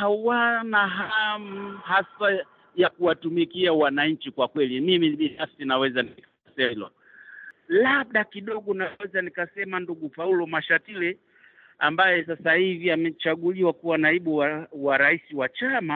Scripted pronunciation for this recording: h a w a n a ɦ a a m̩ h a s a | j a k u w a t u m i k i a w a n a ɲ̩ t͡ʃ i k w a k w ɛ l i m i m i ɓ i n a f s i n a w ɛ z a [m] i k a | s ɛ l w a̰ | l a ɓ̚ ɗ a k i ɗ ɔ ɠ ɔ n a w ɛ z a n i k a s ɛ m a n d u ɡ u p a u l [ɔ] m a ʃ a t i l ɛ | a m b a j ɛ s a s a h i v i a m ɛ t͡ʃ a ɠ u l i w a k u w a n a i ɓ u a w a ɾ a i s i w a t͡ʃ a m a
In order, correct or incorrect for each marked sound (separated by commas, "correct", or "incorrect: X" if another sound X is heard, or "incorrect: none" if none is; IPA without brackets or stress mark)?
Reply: incorrect: n, correct